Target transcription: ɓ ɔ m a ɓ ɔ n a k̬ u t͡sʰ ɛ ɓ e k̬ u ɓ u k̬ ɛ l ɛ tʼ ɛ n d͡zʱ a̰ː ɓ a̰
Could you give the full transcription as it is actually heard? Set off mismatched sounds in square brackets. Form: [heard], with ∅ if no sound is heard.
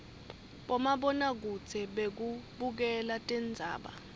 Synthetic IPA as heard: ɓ ɔ m a ɓ ɔ n a k̬ u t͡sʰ ɛ ɓ e k̬ u ɓ u k̬ ɛ l [a] tʼ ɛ n d͡zʱ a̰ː ɓ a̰